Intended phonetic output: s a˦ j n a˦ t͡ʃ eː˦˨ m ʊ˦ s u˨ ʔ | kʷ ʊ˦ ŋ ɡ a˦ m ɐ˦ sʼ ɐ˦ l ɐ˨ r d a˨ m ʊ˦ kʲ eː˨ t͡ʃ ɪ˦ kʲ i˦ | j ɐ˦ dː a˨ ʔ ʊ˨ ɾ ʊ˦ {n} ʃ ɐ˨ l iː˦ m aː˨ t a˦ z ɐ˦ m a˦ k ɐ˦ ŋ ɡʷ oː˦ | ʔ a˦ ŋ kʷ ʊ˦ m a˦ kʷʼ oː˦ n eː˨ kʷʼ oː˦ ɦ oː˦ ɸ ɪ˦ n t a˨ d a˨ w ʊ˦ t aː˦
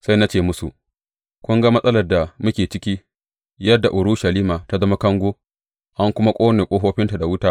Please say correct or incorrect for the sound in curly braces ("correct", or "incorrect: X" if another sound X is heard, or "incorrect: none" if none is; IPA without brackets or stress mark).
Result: incorrect: none